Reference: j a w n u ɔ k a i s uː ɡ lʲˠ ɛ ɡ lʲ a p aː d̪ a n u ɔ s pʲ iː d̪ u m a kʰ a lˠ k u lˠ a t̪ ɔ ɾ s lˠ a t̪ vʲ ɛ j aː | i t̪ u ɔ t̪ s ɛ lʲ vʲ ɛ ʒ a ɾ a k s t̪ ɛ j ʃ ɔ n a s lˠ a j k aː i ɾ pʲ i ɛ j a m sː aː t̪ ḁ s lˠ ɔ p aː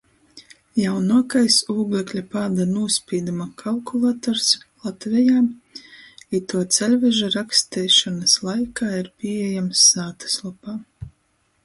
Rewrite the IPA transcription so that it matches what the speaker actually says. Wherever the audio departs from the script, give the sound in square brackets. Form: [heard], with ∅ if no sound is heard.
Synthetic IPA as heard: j a w n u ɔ k a [j] s uː ɡ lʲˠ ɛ [k] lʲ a p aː d̪ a n u ɔ s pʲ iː d̪ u m a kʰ a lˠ k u lˠ a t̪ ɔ ɾ s lˠ a t̪ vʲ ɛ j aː | i t̪ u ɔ t̪ s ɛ lʲ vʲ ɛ ʒ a ɾ a k s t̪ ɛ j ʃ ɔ n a s lˠ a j k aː i ɾ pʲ i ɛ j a m sː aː t̪ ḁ s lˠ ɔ p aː